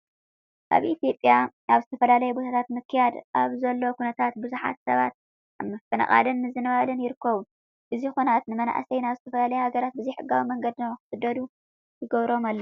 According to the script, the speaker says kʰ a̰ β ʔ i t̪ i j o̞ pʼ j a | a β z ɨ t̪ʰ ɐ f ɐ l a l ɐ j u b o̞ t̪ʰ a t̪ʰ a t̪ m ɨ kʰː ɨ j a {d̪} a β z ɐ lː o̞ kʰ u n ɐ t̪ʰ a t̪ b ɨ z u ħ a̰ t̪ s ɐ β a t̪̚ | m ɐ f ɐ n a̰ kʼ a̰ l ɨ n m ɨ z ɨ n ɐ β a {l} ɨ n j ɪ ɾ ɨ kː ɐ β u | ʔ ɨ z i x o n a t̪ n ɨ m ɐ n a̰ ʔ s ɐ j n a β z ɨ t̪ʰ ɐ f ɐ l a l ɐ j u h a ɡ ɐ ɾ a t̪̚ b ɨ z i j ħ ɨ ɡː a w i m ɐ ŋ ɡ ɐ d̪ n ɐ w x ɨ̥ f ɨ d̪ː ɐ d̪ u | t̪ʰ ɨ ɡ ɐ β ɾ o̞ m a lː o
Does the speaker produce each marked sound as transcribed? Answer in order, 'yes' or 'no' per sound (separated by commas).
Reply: yes, yes